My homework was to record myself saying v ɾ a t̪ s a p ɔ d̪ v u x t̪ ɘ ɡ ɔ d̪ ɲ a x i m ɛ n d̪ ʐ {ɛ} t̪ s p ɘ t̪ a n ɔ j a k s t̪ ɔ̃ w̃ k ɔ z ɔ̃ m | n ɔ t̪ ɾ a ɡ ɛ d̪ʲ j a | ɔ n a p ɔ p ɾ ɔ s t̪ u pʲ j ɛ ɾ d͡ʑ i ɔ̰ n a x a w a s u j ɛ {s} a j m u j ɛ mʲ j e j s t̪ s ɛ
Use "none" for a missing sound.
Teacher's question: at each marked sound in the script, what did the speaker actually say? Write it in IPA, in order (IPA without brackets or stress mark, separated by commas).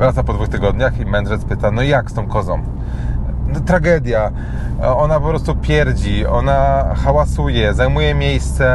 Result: ɛ, z